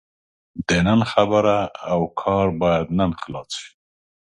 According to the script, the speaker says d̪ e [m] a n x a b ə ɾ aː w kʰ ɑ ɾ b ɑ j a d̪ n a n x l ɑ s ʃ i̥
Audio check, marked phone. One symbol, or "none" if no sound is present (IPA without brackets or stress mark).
n